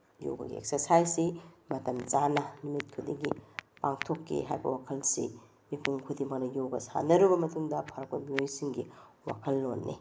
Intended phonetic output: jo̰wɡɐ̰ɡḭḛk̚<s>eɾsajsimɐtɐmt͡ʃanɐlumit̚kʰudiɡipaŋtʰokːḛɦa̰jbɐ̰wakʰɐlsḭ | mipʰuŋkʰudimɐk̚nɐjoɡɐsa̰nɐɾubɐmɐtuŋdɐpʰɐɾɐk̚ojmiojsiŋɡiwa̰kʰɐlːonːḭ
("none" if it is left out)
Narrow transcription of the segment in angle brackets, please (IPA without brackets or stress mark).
s